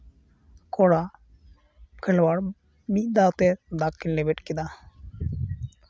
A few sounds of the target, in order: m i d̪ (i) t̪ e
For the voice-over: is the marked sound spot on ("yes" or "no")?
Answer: no